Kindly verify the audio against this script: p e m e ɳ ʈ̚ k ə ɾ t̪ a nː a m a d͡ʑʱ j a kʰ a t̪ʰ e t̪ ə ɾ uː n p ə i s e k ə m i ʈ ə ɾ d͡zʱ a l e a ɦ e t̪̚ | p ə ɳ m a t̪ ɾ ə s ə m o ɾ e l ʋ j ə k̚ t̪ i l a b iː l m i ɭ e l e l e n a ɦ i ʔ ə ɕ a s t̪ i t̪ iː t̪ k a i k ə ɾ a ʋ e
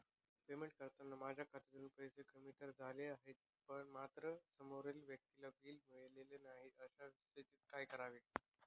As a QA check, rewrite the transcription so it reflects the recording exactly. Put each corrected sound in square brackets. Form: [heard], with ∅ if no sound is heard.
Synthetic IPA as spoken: p e m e ɳ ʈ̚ k ə ɾ t̪ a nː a m a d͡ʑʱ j a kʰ a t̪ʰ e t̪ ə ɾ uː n p ə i s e k ə m i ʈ ə ɾ d͡zʱ a l e a ɦ e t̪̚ | p ə ɳ m a t̪ ɾ ə s ə m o ɾ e l ʋ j ə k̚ t̪ i l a b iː l m i ɭ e l e l e n a ɦ i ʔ ə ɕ a s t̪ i t̪ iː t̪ k a [j] k ə ɾ a ʋ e